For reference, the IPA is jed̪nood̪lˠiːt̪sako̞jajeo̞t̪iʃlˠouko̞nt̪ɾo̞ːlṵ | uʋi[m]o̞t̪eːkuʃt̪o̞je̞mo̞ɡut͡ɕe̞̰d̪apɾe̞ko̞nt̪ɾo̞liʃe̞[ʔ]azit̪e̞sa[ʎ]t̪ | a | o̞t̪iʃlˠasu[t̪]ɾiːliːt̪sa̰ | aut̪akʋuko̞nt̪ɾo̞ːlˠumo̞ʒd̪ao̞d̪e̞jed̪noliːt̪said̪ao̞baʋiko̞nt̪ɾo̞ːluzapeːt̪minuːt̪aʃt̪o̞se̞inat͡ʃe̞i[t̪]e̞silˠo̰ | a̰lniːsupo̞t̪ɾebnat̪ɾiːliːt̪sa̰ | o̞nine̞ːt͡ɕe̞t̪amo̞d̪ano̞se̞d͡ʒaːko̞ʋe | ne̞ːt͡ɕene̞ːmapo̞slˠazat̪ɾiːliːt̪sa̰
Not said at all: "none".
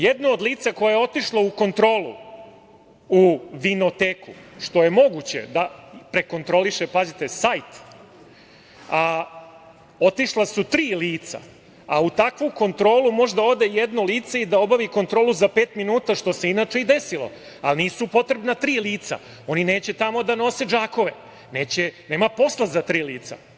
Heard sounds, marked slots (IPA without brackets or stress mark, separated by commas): n, p, j, t̪, d̪